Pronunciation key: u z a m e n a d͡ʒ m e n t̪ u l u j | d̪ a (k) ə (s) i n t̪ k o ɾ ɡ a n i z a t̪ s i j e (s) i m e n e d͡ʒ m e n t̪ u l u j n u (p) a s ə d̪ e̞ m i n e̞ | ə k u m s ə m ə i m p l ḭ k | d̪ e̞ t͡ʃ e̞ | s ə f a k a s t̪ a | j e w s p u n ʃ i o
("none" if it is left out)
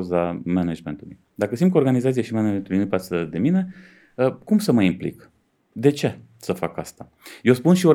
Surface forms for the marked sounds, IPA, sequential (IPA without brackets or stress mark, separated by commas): k, s, ʃ, p